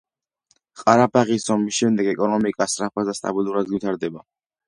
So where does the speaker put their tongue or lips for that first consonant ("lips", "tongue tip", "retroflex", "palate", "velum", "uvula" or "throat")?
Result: uvula